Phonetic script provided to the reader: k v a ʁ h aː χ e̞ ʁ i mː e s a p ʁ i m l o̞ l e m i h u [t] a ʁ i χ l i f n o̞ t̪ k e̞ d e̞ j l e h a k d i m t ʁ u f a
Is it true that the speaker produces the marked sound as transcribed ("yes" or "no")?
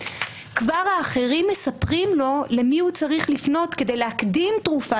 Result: no